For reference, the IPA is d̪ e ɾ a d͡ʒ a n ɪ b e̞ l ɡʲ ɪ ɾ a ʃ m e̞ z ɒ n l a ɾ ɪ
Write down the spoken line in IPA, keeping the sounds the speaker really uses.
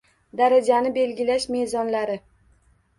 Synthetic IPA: d̪ a ɾ a d͡ʒ a n ɪ b e̞ l ɡʲ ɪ l a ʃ m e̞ z ɒ n l a ɾ ɪ